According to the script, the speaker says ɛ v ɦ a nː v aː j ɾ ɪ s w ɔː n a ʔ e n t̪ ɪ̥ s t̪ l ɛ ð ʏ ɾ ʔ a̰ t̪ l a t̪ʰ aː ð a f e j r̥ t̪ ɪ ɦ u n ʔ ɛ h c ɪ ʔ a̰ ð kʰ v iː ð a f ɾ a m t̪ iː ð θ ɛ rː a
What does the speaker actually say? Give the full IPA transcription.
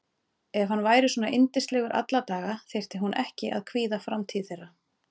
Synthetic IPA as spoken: ɛ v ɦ a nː v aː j ɾ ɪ s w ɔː n a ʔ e n t̪ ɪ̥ s t̪ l ɛ ɣ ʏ ɾ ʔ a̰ t̪ l a t̪ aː ɣ a θ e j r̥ t̪ ɪ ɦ u n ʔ ɛ h c ɪ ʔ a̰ ð kʰ v iː ð a f ɾ a m t̪ʰ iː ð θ ɛ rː a